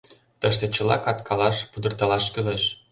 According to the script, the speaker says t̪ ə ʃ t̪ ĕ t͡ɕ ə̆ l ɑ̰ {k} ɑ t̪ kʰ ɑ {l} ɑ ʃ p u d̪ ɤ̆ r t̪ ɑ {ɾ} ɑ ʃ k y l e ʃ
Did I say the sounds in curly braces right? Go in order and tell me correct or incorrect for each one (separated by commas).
correct, correct, incorrect